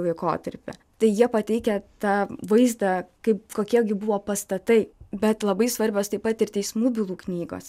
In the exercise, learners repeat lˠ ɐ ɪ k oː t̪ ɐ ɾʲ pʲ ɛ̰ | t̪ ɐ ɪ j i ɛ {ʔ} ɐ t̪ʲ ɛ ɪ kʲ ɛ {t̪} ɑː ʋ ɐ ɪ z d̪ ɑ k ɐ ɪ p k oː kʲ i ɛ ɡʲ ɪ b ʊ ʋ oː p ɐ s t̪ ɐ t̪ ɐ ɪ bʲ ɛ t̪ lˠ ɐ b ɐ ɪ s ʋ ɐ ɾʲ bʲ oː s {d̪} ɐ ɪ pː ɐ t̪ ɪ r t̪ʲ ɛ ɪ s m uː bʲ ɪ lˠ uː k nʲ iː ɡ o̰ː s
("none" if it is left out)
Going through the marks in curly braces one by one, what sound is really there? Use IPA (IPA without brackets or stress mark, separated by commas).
p, t̪, t̪